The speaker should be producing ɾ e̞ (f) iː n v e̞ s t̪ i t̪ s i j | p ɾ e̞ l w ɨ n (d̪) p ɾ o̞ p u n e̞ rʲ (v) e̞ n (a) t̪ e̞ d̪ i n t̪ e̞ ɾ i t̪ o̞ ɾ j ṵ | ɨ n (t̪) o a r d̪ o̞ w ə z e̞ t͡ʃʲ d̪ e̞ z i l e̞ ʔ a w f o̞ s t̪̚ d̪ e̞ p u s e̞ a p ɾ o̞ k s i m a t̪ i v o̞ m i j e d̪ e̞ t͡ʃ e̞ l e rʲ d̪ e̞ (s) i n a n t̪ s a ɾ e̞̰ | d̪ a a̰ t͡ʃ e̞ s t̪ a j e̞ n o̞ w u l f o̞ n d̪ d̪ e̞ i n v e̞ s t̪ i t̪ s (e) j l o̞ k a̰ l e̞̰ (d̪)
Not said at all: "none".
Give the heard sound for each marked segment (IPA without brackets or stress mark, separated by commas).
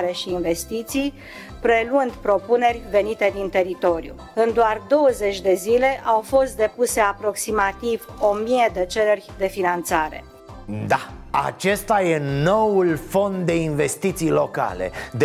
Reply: ʃ, d̪, v, i, d̪, f, i, d̪